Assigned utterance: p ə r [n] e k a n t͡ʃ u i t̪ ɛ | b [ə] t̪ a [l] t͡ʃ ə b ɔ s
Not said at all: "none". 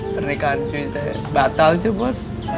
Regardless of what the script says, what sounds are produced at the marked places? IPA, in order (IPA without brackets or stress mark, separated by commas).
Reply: n, a, l